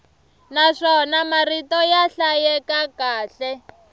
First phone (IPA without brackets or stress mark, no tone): n